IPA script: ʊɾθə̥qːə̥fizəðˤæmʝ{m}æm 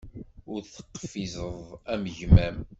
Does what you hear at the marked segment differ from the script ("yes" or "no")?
no